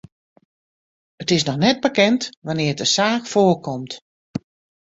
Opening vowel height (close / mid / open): mid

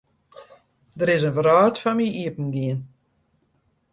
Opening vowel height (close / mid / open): mid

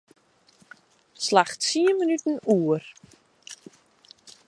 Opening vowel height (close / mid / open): open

